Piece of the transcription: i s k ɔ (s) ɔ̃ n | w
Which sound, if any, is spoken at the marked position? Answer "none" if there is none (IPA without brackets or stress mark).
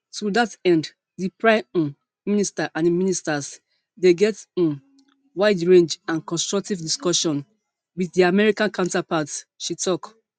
ʃ